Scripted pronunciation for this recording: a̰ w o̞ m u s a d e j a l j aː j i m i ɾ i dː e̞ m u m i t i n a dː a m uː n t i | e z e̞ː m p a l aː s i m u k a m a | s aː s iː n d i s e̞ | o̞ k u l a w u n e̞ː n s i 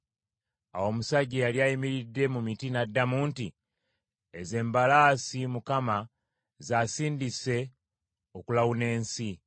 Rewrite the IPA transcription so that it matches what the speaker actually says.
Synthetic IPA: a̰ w o̞ m u s a ɟ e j a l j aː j i m i ɾ i dː e̞ m u m i t i n a dː a m uː n t i | e z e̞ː m b a l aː s i m u k a m a | z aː s iː n d i s e̞ | o̞ k u l a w u n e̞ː n s i